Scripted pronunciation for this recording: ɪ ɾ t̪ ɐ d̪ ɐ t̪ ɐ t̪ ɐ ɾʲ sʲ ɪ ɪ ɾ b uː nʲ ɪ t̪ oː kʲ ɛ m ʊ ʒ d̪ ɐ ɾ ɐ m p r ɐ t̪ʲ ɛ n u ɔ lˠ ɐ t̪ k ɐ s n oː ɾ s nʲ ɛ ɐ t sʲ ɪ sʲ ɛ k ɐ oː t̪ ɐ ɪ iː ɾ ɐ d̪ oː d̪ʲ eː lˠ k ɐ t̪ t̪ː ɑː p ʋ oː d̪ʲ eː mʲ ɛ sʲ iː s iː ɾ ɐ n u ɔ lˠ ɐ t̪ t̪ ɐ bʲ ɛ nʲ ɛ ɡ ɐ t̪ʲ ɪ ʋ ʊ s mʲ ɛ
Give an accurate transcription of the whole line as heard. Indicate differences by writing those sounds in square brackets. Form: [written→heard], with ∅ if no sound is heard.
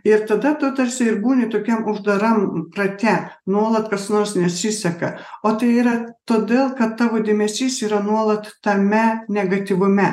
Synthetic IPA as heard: ɪ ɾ t̪ ɐ d̪ ɐ t̪ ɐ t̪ ɐ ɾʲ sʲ ɪ ɪ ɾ b uː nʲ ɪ t̪ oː kʲ ɛ m ʊ ʒ d̪ ɐ ɾ ɐ m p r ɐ t̪ʲ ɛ n u ɔ lˠ ɐ t̪ k ɐ s n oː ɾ s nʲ ɛ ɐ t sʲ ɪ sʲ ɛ k ɐ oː t̪ ɐ ɪ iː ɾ ɐ [d̪→t̪] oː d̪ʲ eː lˠ k ɐ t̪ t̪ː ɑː [p→∅] ʋ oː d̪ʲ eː mʲ ɛ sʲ iː s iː ɾ ɐ n u ɔ lˠ ɐ t̪ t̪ ɐ [bʲ→mʲ] ɛ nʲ ɛ ɡ ɐ t̪ʲ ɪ ʋ ʊ [s→∅] mʲ ɛ